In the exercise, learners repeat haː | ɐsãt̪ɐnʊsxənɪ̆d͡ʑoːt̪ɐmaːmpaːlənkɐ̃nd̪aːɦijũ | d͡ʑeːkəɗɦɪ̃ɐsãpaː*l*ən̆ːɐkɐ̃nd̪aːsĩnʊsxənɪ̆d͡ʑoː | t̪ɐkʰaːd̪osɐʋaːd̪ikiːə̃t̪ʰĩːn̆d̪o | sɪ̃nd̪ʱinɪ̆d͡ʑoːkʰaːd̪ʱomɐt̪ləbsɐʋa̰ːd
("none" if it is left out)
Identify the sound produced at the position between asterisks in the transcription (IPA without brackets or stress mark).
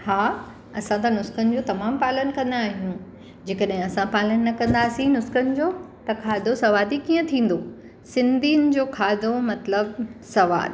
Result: l